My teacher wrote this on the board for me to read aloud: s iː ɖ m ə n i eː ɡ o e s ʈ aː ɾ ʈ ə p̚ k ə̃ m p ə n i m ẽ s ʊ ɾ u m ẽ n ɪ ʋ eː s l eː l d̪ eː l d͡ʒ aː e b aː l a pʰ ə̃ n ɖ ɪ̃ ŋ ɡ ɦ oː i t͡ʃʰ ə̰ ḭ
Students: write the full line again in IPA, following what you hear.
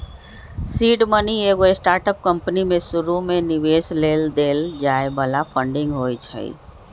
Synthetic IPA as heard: s iː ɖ m ə n i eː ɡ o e s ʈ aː ɾ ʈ ə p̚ k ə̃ m p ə n i m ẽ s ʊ ɾ u m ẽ n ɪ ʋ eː s l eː l d̪ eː l d͡ʒ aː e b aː l a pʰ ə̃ ɳ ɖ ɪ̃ ŋ ɡ ɦ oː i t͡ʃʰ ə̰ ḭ